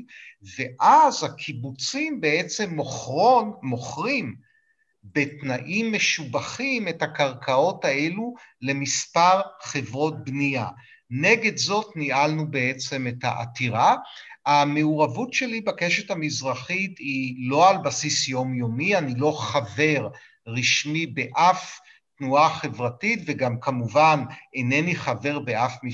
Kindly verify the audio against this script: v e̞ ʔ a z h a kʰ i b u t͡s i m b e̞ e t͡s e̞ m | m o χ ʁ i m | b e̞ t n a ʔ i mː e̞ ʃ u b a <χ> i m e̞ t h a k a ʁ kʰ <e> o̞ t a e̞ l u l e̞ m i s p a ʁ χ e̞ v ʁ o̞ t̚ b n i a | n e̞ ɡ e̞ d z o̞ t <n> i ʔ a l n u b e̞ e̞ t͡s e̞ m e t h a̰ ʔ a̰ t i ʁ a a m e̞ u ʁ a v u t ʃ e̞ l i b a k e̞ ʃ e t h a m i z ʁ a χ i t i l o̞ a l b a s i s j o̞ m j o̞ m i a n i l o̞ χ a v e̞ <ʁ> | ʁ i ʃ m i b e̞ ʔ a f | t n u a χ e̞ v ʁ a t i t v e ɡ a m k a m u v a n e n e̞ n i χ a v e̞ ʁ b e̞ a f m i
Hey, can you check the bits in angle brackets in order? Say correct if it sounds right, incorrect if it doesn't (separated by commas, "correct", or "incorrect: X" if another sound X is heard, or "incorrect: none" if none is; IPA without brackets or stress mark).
correct, incorrect: a, correct, correct